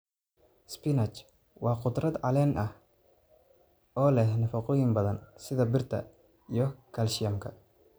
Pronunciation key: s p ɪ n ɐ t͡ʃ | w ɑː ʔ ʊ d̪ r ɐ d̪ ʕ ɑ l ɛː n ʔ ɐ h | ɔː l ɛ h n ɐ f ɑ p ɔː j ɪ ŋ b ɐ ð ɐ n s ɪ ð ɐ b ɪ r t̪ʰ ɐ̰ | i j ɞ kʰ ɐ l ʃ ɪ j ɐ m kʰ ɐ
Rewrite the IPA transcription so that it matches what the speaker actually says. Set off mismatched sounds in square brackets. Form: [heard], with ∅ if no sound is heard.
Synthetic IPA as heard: s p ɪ n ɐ t͡ʃ | w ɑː [q] ʊ d̪ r ɐ d̪ ʕ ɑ l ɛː n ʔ ɐ h | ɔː l ɛ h n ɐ f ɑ [q] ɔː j ɪ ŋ b ɐ ð ɐ n s ɪ ð ɐ b ɪ r t̪ʰ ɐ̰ | i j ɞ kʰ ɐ l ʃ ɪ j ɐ m kʰ ɐ